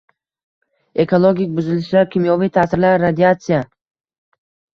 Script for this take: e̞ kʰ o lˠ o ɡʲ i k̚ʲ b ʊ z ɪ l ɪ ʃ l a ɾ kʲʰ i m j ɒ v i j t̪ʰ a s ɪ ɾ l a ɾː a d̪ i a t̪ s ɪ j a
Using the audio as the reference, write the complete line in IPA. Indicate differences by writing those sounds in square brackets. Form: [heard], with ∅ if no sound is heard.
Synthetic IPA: e̞ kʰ o lˠ o ɡʲ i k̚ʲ b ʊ z ɪ l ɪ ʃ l a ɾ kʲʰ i m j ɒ v i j t̪ʰ a s ɪ ɾ l a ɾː a d̪ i a t̪ s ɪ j a